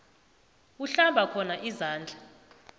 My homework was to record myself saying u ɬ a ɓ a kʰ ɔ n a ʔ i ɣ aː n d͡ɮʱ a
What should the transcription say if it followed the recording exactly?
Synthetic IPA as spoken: u ɬ a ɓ a kʰ ɔ n a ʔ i z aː n d͡ɮʱ a